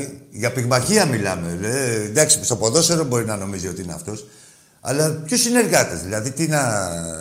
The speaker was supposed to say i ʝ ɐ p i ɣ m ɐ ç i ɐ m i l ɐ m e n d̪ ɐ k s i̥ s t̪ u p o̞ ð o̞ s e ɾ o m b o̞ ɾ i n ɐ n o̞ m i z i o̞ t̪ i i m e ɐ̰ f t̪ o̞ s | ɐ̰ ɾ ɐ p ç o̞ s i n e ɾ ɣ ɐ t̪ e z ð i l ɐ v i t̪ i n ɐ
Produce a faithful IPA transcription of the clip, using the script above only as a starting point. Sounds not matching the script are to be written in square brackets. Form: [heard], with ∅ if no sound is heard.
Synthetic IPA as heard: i ʝ ɐ p i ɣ m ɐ ç i ɐ m i l ɐ m e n d̪ ɐ k s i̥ s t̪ [o] p o̞ ð o̞ s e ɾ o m b o̞ ɾ i n ɐ n o̞ m i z i o̞ t̪ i i [n] e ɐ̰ f t̪ o̞ s | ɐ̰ [l] ɐ p ç o̞ s i n e ɾ ɣ ɐ t̪ e z ð i l ɐ [ð] i t̪ i n ɐ